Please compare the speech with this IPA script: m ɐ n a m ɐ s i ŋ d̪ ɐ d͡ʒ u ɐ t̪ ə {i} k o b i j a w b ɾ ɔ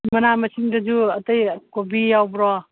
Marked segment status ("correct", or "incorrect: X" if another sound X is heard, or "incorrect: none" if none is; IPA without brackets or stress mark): incorrect: j